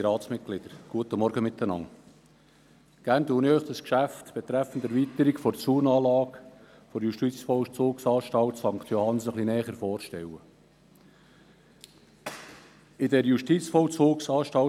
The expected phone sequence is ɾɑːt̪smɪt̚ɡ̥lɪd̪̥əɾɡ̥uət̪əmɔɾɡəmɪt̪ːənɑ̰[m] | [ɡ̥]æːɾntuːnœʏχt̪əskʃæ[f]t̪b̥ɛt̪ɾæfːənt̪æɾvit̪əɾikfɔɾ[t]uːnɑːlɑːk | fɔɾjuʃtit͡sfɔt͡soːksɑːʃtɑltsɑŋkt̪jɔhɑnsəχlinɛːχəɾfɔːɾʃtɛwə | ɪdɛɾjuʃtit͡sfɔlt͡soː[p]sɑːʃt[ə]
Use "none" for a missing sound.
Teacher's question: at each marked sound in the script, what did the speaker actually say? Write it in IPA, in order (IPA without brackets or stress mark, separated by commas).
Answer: ŋ, ɡ̥, f, t͡s, k, ɑ